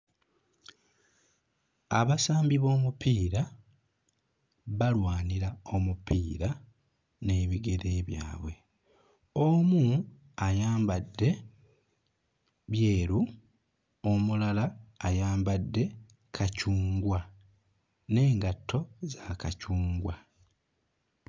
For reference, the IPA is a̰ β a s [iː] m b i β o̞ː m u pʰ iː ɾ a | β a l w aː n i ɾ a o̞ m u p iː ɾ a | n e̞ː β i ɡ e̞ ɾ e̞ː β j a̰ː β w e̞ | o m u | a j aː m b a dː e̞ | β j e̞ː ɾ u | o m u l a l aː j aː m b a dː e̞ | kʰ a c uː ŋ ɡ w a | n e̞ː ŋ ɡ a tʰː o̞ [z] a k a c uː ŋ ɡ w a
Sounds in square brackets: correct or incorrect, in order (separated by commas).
incorrect, correct